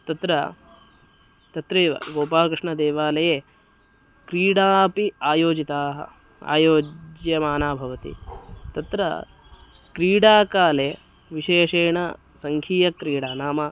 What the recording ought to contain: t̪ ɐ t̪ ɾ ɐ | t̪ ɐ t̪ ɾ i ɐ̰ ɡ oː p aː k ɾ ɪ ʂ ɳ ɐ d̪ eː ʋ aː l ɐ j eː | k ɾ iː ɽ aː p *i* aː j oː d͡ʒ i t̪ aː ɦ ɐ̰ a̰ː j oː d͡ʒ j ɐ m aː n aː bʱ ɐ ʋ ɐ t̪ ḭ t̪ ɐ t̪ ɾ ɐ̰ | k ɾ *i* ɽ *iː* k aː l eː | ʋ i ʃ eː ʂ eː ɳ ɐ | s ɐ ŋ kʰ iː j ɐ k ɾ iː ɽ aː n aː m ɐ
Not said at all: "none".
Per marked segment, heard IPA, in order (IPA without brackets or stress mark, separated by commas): i, iː, aː